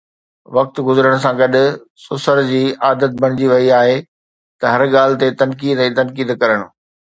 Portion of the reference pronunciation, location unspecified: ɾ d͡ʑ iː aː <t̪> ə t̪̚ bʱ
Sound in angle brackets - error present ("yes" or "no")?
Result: yes